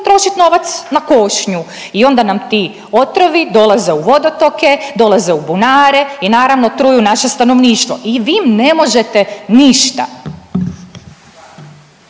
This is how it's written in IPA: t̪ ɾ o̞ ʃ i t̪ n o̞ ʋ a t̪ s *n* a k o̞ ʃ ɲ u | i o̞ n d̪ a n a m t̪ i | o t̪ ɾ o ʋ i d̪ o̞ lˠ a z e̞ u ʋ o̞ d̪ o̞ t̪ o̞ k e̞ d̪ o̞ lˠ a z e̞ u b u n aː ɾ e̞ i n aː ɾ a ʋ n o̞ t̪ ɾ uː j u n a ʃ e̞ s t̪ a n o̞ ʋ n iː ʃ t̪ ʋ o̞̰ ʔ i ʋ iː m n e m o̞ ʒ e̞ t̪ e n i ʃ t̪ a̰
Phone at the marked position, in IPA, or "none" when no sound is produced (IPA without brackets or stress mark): n